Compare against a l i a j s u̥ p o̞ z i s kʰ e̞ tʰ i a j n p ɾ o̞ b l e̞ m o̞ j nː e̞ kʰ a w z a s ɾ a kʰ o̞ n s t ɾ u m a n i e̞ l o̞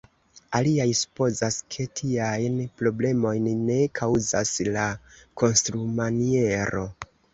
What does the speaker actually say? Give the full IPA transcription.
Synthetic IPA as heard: a l i a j s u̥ p o̞ z a s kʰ e̞ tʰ i a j n p ɾ o̞ b l e̞ m o̞ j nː e̞ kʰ a w z a s l a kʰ o̞ n s t ɾ u m a n i e̞ ɾ o̞

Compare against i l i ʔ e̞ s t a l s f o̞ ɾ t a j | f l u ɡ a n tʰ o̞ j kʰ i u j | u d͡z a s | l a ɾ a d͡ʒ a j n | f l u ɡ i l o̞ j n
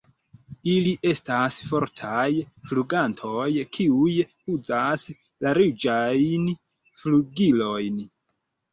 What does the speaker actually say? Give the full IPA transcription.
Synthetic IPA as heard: i l i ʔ e̞ s t a s f o̞ ɾ tʰ a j | f l u ɡ a n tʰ o̞ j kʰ i u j | u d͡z a s | l a ɾ i d͡ʒ a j n | f l u ɡ i l o̞ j n

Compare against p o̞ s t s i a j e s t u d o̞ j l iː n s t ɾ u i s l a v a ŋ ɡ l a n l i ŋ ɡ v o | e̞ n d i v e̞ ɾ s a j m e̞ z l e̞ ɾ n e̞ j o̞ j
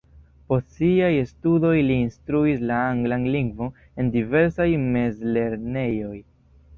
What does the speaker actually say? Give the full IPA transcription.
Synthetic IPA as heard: p o̞ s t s i a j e s t u d o̞ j l iː n s t ɾ u i s l a a ŋ ɡ l a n l i ŋ ɡ v o | e̞ n d i v e̞ ɾ s a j m e̞ z l e̞ ɾ n e̞ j o̞ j

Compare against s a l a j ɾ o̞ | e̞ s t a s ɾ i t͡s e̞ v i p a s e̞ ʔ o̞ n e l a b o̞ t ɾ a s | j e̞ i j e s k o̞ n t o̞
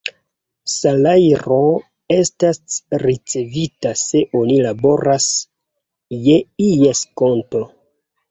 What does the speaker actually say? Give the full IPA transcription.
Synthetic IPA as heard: s a l a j ɾ o̞ | e̞ s t a s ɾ i t͡s e̞ v i t a s e̞ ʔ o̞ n i l a b o̞ ɾ a s | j e̞ i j e s k o̞ n t o̞

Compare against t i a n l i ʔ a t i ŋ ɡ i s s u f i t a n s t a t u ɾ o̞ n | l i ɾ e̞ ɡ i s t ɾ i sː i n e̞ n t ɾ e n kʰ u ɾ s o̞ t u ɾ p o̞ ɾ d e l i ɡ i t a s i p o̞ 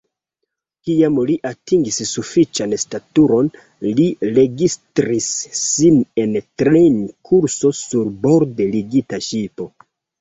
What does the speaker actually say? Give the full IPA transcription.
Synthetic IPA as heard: k i a m l i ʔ a t i ŋ ɡ i s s u f i t͡ʃ a n s t a t u ɾ o̞ n | l i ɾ e̞ ɡ i s t ɾ i sː i n e̞ n t ɾ e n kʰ u ɾ s o̞ s u ɾ b o̞ ɾ d e l i ɡ i t a ʃ i p o̞

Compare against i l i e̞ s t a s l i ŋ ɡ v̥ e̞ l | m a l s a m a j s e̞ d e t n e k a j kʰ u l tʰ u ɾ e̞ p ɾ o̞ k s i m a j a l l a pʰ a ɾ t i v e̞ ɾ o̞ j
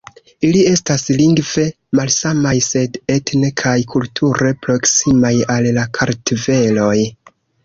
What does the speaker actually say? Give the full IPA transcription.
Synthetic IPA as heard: i l i e̞ s t a s l i ŋ ɡ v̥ e̞ | m a l s a m a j s e̞ d e t n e kʰ a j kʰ u l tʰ u ɾ e̞ p ɾ o̞ k s i m a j a l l a kʰ a ɾ t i v e̞ l o̞ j

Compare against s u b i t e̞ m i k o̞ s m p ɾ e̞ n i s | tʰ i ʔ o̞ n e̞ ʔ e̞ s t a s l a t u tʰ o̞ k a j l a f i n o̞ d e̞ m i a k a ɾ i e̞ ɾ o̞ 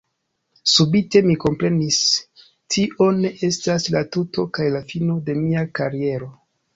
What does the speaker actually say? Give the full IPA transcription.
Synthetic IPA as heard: s u b i t e̞ m i k o̞ m p ɾ e̞ n i s | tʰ i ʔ o̞ n e̞ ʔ e̞ s t a s l a t u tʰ o̞ k a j l a f i n o̞ d e̞ m i a k a ɾ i e̞ ɾ o̞

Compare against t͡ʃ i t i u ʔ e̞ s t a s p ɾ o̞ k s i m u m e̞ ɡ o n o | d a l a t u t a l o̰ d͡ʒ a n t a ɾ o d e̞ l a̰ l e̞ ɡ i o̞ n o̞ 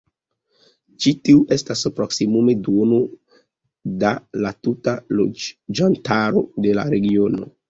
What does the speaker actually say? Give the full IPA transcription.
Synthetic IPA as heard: t͡ʃ i t i u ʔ e̞ s t a s p ɾ o̞ k s i m u m e̞ d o n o | d a l a t u t a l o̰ d͡ʒ a n t a ɾ o d e̞ l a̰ ɾ e̞ ɡ i o̞ n o̞

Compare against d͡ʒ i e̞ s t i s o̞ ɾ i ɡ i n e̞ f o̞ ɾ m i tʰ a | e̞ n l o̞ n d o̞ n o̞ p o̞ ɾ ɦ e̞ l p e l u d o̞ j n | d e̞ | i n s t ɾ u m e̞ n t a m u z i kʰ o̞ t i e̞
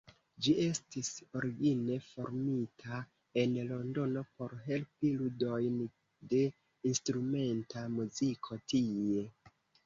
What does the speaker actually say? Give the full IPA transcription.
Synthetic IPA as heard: d͡ʒ i e̞ s t i s o̞ ɾ i ɡ i n e̞ f o̞ ɾ m i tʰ a | e̞ n l o̞ n d o̞ n o̞ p o̞ ɾ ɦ e̞ l p i l u d o̞ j n | d e̞ | i n s t ɾ u m e̞ n t a m u z i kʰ o̞ t i e̞

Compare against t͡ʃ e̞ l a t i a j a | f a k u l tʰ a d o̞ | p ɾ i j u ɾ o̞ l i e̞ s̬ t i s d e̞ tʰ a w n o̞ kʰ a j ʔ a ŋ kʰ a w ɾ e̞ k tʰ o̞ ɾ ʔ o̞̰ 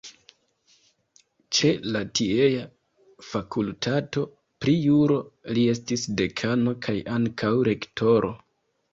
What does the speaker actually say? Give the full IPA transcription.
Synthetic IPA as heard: t͡ʃ e̞ l a t i e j a | f a k u l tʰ a t o̞ | p ɾ i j u ɾ o̞ l i e̞ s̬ t i s d e̞ kʰ a n o̞ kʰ a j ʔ a ŋ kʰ a w ɾ e̞ k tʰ o̞ ɾ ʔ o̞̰

